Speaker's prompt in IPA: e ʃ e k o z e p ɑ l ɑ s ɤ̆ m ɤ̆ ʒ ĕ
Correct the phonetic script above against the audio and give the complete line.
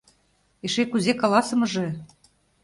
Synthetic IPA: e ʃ e k u z e k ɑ l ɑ s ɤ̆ m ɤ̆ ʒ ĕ